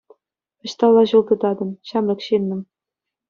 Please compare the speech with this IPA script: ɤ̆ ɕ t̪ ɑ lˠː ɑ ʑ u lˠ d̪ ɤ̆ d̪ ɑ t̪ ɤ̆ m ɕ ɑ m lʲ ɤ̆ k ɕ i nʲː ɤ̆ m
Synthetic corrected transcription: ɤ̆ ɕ t̪ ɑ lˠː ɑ ʑ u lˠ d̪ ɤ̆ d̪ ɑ d̪ ɤ̆ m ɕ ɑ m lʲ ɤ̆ k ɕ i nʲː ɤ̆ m